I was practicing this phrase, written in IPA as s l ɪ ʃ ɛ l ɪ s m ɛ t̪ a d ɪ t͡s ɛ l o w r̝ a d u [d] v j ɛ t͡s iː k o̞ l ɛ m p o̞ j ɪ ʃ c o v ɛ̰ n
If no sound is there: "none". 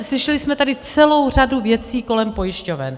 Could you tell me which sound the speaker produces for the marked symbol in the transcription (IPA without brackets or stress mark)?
none